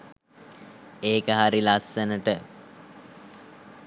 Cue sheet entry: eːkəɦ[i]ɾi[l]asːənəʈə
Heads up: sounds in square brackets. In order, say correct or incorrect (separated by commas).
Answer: incorrect, correct